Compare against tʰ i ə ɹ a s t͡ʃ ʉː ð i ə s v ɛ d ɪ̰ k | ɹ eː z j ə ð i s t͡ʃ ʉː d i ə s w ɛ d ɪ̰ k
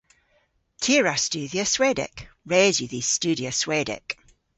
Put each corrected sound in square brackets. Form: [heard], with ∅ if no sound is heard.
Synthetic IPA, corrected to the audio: tʰ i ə ɹ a s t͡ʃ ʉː ð i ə s [w] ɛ d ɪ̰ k | ɹ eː z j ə ð i s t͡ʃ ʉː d i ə s w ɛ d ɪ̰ k

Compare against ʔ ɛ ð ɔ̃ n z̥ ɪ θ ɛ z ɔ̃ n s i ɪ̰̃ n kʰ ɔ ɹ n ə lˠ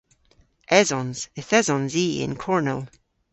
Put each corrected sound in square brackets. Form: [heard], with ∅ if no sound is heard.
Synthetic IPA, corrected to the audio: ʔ ɛ [z] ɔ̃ n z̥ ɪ θ ɛ z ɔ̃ n [z] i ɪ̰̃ n kʰ ɔ ɹ n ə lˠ

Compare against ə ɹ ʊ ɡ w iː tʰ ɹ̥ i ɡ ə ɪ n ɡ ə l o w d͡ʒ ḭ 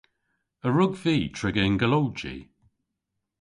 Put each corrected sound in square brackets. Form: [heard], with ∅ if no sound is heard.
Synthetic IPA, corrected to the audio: ə ɹ ʊ ɡ [v] iː tʰ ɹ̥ [ɪ] ɡ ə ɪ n ɡ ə l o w d͡ʒ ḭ

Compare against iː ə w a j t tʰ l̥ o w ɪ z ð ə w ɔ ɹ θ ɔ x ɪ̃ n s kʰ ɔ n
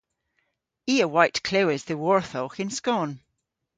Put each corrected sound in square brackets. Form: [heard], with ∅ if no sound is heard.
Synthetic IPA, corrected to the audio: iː ə w a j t [kʰ] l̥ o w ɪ z ð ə w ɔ ɹ θ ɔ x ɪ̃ n s [k] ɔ n

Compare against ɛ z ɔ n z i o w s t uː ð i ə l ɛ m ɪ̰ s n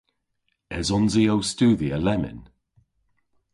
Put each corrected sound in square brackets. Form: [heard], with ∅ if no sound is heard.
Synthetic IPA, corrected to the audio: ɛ z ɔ n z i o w s t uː ð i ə l ɛ m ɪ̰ [∅] n

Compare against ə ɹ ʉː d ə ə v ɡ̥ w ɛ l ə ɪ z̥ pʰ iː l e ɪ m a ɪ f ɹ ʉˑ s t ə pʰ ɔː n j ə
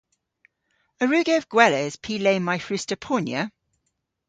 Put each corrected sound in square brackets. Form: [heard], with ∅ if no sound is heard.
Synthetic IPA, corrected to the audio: ə ɹ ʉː [ɡ] ə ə v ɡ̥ w ɛ l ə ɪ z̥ pʰ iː l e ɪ m a ɪ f ɹ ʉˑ s t ə pʰ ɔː n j ə

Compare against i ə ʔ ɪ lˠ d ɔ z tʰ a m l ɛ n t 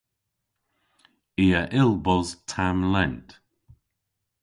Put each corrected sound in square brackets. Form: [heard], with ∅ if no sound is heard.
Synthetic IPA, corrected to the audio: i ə ʔ ɪ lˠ [b] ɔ z tʰ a m l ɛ n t

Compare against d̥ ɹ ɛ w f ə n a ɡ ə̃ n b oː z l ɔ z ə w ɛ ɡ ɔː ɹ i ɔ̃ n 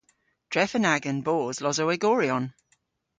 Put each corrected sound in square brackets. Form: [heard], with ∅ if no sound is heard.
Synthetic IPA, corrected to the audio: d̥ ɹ ɛ [∅] f ə n a ɡ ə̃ n b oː z l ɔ z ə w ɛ ɡ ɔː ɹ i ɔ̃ n

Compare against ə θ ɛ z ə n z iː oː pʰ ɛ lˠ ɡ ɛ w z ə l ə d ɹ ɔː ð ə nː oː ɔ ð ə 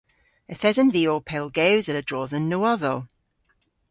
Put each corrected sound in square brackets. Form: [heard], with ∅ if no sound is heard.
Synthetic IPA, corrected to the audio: ə θ ɛ z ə n [v] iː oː pʰ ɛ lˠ ɡ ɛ w z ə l ə d ɹ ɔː ð ə nː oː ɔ ð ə

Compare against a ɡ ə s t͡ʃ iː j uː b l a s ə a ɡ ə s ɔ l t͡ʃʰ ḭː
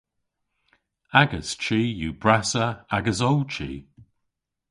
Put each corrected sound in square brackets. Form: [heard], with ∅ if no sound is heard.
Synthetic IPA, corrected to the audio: a ɡ ə s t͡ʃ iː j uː b [ɹ] a s ə a ɡ ə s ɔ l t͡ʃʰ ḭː

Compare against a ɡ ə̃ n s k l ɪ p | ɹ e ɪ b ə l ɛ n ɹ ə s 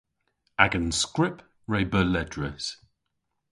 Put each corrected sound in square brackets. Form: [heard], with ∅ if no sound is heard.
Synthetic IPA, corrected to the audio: a ɡ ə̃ n s k [ɹ] ɪ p | ɹ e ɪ b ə l ɛ [d] ɹ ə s

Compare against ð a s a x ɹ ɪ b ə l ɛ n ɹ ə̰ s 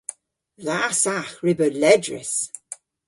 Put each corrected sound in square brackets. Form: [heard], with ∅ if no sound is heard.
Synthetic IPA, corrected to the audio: ð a s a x ɹ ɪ b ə l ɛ [d] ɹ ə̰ s

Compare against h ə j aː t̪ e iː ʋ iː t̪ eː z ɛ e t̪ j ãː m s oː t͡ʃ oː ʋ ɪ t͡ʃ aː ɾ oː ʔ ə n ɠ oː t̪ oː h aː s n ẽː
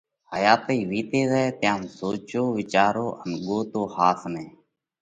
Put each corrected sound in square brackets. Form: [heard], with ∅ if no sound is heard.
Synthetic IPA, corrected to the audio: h ə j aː t̪ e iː ʋ iː t̪ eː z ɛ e t̪ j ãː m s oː t͡ʃ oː ʋ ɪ t͡ʃ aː ɾ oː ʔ ə n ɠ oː t̪ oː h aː s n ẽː

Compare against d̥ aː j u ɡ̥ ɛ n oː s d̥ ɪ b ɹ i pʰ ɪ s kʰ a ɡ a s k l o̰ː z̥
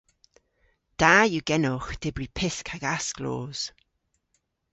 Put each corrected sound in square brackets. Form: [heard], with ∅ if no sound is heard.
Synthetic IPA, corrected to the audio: d̥ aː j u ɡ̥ ɛ n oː [x] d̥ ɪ b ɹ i pʰ ɪ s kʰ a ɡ a s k l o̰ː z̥

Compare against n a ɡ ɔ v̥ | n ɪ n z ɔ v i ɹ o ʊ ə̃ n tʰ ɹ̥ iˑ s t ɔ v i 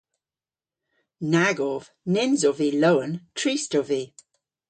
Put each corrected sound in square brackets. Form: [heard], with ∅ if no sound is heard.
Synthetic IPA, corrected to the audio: n a ɡ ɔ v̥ | n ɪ n z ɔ v i [l] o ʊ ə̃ n tʰ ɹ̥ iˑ s t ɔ v i

